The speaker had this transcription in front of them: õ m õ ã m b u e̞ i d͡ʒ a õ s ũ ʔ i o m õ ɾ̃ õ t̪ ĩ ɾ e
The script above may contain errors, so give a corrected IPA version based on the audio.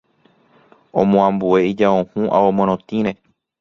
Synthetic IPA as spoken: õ m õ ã m b u e̞ i d͡ʒ a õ h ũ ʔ a o m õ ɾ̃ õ t̪ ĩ ɾ e